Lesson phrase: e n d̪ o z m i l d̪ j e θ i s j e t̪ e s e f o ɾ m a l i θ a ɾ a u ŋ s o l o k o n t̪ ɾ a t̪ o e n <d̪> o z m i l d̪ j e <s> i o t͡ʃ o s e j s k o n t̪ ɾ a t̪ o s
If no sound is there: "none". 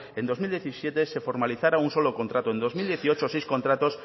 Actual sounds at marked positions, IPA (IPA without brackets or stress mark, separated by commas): d̪, θ